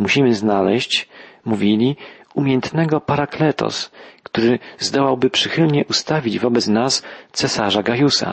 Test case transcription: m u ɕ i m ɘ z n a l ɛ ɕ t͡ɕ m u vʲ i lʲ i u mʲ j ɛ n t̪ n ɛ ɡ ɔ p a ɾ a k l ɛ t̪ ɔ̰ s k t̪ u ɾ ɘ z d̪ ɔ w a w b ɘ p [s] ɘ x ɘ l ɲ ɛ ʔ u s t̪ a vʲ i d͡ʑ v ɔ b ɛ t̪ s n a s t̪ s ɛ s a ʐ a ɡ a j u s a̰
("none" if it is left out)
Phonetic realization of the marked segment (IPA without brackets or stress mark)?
ʂ